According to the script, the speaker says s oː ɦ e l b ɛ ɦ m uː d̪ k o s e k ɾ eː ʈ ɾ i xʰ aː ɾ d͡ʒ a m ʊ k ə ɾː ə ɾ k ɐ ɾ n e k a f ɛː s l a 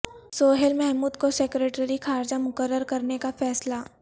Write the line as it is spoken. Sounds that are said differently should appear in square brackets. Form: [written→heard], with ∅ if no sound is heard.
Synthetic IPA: s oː ɦ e l [b→m] ɛ ɦ m uː d̪ k o s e k ɾ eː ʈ ɾ i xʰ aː ɾ d͡ʒ a m ʊ k ə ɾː ə ɾ k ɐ ɾ n e k a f ɛː s l a